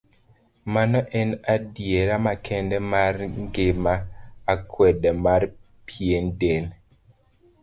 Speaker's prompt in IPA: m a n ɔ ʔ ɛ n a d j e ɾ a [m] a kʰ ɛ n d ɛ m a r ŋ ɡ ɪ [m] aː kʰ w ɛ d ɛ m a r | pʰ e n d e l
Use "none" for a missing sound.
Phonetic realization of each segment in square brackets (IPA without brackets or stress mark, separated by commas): m, m